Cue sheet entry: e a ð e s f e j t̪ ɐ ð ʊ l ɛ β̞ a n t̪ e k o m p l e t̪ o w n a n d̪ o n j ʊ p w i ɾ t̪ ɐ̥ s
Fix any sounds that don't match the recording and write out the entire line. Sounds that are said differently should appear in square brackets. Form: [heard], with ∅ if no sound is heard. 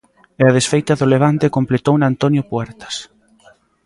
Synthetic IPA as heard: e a ð e s f e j t̪ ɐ ð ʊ l [e] β̞ a n t̪ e k o m p l e t̪ o w n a n [t̪] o n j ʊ p w [ɛ] ɾ t̪ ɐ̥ s